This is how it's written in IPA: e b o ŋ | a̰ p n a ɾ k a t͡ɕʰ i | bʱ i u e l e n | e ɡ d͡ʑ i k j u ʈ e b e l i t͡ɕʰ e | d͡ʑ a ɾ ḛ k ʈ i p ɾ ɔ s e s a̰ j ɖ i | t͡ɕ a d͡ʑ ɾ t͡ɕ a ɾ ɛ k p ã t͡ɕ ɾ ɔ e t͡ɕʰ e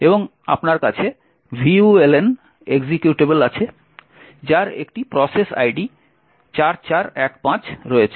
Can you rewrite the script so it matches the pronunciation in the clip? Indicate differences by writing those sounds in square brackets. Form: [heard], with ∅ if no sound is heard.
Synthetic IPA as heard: e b o ŋ | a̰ p n a ɾ k a t͡ɕʰ [e] | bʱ i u e l e n | e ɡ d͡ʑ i k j u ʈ e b e l [a] t͡ɕʰ e | d͡ʑ a ɾ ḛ k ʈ i p ɾ ɔ s e s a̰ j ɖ i | t͡ɕ a [∅] ɾ t͡ɕ a ɾ ɛ k p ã t͡ɕ ɾ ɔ e t͡ɕʰ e